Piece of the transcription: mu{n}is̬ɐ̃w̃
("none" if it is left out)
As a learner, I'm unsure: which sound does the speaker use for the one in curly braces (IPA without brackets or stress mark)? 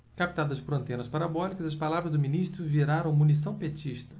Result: n